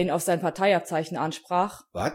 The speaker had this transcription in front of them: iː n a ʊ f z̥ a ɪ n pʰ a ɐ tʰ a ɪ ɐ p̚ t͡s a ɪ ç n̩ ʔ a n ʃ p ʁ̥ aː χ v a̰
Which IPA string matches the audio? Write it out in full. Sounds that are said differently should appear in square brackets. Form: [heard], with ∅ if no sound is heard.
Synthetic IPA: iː n a ʊ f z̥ a ɪ n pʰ a ɐ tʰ a ɪ [a] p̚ t͡s a ɪ ç n̩ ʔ a n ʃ p ʁ̥ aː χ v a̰